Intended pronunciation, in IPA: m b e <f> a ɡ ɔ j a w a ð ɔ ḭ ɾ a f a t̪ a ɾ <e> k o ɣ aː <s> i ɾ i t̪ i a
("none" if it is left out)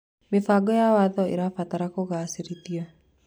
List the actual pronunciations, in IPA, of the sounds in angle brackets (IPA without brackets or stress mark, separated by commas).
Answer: f, a, s